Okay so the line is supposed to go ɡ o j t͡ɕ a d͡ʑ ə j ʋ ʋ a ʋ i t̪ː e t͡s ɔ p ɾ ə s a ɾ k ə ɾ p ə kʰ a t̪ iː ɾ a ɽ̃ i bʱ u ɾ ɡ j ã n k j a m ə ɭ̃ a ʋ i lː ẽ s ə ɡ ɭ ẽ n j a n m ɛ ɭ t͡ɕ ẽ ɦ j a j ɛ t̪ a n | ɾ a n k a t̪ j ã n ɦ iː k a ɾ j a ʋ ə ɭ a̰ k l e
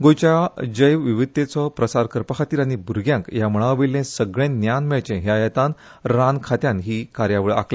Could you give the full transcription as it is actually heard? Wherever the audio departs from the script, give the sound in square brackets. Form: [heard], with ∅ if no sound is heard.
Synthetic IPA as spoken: ɡ o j t͡ɕ a d͡ʑ ə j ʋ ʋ [i] ʋ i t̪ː e t͡s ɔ p ɾ ə s a ɾ k ə ɾ p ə kʰ a t̪ iː ɾ a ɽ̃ i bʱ u ɾ ɡ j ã [ŋ] k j a m ə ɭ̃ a ʋ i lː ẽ s ə ɡ ɭ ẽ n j a n m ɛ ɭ t͡ɕ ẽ ɦ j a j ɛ t̪ a n | ɾ a n [kʰ] a t̪ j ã n ɦ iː k a ɾ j a ʋ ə ɭ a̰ k l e